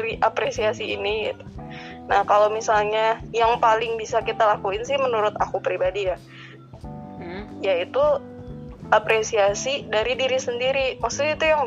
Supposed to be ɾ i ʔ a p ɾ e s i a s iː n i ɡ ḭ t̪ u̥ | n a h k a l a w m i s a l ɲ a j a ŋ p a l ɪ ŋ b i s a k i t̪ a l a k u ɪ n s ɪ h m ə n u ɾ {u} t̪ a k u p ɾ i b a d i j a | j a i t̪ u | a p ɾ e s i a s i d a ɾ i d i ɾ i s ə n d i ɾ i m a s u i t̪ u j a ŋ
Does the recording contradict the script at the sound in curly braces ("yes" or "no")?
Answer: yes